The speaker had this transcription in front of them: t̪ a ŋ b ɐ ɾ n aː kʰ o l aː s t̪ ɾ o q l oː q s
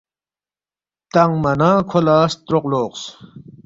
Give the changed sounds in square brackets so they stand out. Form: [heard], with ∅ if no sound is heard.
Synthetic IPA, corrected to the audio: t̪ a ŋ [m] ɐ [∅] n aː kʰ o l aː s t̪ ɾ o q l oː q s

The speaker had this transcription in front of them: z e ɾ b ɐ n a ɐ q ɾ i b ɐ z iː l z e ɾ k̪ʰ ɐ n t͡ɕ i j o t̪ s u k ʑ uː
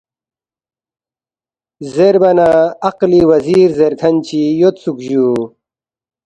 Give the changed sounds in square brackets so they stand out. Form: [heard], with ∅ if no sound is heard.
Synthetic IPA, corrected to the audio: z e ɾ b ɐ n a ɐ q [l] i [w] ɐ z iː [ɾ] z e ɾ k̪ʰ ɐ n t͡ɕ i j o t̪ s u k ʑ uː

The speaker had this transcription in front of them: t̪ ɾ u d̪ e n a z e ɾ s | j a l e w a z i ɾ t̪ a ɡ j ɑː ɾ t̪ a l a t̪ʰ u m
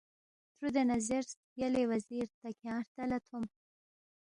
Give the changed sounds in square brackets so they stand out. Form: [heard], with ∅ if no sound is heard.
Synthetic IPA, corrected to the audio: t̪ ɾ u d̪ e n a z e ɾ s | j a l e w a z i ɾ t̪ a [k] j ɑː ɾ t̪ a l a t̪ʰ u m

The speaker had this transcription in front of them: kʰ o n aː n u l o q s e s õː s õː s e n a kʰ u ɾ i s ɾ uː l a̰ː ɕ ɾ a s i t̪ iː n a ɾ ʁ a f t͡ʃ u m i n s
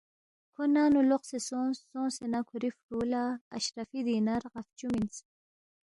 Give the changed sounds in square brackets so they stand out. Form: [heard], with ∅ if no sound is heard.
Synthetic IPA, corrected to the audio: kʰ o n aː n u l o q s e s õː s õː s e n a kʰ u ɾ i [f] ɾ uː l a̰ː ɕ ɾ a [f] i [d̪] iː n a ɾ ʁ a f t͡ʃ u m i n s

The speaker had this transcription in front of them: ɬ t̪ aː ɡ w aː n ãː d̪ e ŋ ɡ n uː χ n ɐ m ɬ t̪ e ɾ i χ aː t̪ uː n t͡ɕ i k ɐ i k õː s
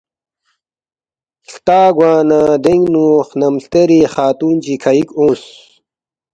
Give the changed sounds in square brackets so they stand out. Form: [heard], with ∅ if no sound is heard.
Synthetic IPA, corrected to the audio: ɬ t̪ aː ɡ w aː n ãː d̪ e ŋ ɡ n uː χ n ɐ m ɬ t̪ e ɾ i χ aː t̪ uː n t͡ɕ i [kʰ] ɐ i k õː s

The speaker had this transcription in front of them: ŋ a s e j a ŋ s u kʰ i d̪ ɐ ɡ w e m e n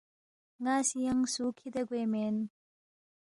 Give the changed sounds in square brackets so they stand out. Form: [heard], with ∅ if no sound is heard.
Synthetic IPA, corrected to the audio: ŋ a s [i] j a ŋ s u kʰ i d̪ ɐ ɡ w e m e n

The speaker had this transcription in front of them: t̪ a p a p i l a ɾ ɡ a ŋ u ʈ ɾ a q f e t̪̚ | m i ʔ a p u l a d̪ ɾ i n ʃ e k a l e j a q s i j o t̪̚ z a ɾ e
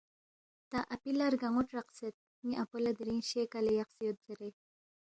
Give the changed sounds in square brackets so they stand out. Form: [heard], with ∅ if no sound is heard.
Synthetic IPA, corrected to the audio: t̪ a [ʔ] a p i l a ɾ ɡ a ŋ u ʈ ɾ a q [s] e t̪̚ | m i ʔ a p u l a d̪ ɾ i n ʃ e k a l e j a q s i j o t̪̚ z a ɾ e

